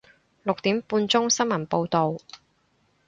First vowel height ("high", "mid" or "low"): high